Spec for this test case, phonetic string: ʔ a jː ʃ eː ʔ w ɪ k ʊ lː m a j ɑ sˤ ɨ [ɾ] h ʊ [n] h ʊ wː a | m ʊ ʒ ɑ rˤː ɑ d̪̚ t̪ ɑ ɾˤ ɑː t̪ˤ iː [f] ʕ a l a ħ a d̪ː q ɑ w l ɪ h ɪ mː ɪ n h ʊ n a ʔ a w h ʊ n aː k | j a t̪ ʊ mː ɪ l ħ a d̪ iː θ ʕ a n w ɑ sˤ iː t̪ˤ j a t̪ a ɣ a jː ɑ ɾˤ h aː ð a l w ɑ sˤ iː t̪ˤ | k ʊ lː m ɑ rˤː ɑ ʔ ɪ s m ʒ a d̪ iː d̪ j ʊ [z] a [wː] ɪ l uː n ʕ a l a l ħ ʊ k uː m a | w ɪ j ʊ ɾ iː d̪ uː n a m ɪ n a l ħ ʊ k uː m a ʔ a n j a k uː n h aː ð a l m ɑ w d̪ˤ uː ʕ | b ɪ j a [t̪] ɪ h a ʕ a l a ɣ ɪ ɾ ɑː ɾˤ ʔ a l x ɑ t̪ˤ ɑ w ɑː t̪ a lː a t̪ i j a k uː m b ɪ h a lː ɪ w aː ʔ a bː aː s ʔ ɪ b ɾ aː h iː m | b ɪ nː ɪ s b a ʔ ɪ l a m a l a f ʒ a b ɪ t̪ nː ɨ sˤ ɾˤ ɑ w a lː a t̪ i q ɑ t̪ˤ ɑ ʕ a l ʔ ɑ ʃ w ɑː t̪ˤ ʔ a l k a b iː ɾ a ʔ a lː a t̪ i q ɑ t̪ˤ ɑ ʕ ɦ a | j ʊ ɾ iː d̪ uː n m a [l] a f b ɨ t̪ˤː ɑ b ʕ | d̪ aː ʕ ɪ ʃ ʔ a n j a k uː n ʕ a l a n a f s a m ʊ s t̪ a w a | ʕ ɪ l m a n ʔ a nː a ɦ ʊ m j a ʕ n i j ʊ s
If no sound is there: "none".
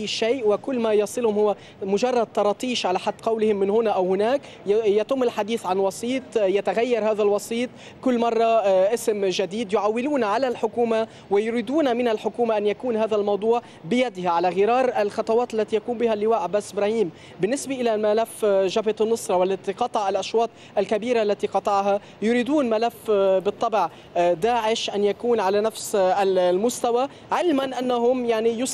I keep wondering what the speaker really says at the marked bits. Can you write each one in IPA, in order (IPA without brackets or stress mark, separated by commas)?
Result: l, m, ʃ, ʕ, wː, d̪, l